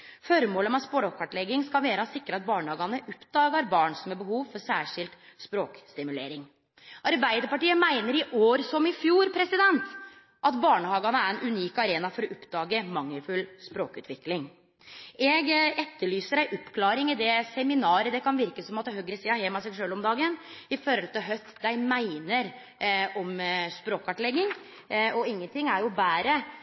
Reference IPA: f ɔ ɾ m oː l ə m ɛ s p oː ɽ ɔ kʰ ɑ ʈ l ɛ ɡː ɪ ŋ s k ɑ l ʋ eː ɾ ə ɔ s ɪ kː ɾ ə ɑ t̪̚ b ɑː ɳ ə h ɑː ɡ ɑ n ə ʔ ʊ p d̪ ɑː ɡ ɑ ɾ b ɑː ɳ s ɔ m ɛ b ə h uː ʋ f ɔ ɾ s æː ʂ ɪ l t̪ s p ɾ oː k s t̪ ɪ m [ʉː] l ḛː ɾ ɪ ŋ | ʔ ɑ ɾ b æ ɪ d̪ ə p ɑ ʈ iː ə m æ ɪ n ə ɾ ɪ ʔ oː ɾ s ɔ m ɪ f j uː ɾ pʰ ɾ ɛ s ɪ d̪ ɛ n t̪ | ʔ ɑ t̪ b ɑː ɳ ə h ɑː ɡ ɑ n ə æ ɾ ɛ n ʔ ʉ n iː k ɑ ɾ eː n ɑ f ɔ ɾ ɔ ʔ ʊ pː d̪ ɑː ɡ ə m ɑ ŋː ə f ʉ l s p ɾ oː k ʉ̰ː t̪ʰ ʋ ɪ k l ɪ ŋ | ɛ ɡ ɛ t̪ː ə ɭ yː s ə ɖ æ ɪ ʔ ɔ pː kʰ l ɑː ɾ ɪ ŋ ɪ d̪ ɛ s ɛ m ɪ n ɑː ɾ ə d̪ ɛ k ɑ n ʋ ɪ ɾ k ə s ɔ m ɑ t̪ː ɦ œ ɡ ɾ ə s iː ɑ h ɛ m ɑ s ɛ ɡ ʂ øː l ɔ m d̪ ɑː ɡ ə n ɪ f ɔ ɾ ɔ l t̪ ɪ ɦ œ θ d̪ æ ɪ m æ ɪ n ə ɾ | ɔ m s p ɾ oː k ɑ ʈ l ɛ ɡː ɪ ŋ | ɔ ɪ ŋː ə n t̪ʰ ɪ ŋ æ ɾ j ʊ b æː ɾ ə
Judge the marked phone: incorrect: ʉ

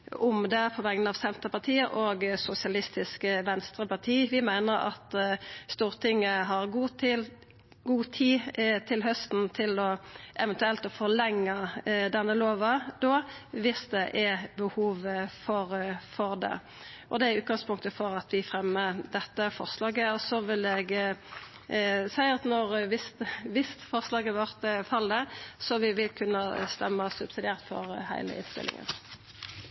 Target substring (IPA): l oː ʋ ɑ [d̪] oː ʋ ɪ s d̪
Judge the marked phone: correct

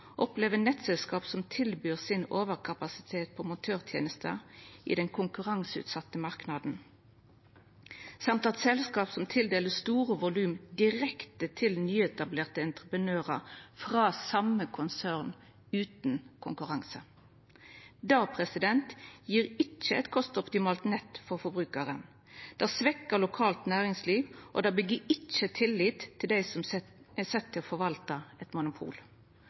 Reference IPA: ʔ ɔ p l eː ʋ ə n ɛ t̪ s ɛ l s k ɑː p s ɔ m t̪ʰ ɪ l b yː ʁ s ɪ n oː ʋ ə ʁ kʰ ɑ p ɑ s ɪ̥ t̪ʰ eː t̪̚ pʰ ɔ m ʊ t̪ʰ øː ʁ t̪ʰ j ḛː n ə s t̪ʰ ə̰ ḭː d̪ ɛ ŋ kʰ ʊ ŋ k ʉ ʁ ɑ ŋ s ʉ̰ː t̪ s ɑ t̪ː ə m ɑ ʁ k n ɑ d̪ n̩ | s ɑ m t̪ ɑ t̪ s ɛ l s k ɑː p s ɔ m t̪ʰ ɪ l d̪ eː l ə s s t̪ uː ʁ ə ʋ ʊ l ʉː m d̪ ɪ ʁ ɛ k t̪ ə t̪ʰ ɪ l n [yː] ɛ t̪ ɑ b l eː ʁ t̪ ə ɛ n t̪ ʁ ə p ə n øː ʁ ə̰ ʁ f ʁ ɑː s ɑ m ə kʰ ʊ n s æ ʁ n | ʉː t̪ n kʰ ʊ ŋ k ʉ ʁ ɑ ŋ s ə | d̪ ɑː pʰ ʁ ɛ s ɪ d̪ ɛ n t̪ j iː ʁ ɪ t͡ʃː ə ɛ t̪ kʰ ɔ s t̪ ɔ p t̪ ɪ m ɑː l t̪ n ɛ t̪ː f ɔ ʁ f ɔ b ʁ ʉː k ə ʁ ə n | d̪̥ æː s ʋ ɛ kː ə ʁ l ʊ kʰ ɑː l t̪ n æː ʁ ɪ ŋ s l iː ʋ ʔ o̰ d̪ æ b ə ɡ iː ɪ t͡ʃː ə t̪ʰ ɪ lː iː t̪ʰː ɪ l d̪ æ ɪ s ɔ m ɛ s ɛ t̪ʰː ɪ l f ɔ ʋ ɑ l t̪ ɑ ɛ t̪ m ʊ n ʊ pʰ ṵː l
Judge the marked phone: correct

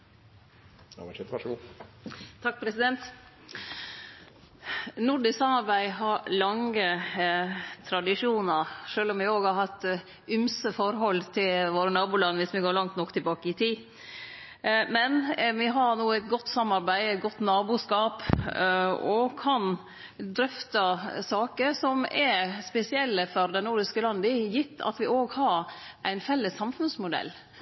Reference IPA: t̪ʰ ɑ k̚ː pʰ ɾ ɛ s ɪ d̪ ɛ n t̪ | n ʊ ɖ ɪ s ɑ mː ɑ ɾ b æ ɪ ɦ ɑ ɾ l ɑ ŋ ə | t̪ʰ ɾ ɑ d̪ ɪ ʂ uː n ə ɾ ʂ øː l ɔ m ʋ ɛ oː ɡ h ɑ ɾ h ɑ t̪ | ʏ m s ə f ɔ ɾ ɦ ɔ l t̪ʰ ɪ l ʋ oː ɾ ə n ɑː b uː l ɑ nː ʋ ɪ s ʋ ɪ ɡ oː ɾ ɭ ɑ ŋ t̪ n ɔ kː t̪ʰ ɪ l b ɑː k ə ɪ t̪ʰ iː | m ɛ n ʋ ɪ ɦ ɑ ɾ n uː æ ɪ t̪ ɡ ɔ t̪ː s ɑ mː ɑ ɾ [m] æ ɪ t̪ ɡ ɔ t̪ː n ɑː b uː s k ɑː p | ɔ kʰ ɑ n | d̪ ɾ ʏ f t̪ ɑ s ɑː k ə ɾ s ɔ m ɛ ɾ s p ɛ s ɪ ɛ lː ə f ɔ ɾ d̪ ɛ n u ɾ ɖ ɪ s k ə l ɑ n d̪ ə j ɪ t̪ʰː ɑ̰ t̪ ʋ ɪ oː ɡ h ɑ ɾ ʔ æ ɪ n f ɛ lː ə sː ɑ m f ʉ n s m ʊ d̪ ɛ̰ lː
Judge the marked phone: incorrect: b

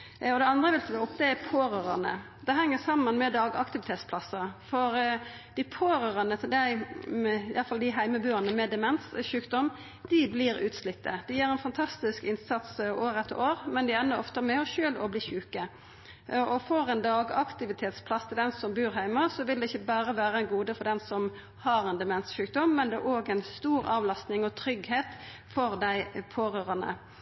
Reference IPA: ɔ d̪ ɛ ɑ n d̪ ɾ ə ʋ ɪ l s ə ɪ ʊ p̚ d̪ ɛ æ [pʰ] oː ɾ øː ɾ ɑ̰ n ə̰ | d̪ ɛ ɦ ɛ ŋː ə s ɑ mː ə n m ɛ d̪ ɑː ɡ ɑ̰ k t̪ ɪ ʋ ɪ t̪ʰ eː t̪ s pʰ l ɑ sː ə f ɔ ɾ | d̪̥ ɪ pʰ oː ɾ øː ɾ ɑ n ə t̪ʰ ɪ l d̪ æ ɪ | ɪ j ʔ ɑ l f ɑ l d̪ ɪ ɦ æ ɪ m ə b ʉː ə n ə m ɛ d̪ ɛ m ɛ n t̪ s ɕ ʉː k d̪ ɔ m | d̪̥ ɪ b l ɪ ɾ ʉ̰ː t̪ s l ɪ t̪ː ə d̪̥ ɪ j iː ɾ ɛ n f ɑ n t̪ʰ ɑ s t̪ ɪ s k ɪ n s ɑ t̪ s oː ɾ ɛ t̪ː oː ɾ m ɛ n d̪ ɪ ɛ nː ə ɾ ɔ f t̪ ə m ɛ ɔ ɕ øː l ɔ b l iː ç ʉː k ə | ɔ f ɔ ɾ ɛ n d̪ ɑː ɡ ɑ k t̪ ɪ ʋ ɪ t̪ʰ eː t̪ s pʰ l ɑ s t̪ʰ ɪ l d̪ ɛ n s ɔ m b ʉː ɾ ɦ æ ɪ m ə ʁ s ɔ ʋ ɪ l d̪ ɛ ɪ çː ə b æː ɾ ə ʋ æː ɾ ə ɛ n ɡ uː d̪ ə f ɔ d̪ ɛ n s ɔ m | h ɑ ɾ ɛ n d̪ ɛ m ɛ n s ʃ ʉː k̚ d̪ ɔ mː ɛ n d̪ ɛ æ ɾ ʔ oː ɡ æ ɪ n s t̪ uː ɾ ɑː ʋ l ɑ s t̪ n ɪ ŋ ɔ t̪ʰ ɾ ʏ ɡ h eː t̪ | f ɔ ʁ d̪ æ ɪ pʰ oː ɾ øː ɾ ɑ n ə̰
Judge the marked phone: correct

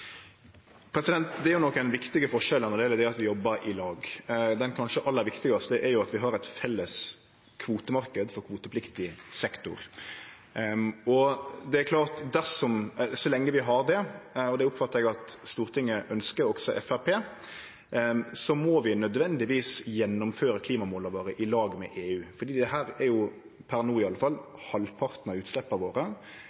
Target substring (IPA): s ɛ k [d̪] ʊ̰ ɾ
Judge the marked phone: incorrect: t̪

